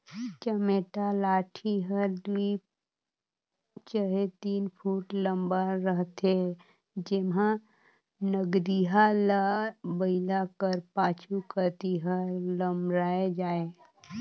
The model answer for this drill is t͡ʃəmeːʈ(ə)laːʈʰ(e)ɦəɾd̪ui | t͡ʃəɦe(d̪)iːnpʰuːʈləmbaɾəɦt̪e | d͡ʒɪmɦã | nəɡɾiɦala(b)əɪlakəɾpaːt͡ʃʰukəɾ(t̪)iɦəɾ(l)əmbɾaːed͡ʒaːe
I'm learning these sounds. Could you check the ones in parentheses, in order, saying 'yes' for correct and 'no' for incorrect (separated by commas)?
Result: no, no, no, yes, yes, yes